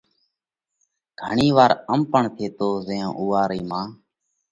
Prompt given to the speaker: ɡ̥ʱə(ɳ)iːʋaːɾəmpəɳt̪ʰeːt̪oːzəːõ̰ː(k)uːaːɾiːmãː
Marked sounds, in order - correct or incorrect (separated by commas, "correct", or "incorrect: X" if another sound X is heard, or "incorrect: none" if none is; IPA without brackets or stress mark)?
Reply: correct, incorrect: ʔ